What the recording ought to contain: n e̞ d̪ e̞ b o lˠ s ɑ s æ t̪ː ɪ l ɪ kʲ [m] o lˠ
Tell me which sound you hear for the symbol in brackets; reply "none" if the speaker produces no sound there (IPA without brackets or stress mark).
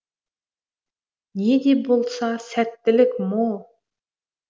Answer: m